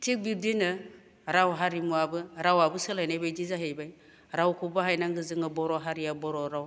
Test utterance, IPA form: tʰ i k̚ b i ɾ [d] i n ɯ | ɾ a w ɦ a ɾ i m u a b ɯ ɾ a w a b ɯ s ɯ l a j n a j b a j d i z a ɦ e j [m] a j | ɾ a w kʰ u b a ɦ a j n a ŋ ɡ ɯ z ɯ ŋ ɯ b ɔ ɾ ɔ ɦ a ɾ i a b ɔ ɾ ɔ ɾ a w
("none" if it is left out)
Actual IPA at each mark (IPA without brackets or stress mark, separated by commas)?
d, b